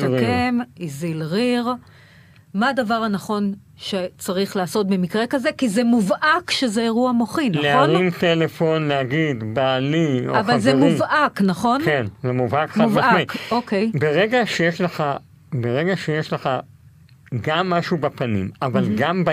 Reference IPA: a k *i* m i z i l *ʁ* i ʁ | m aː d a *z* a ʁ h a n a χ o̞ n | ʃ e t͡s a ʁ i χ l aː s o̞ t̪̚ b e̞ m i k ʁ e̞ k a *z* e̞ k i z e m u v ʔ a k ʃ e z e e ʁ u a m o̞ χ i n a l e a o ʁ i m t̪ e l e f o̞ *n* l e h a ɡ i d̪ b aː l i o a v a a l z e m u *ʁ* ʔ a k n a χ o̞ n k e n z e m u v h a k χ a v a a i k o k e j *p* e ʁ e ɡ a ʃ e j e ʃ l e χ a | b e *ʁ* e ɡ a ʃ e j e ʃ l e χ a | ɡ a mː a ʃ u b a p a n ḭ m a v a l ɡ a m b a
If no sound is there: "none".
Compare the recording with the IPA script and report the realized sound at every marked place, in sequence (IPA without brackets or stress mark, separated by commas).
e, ʁ, v, z, n, v, b, ʁ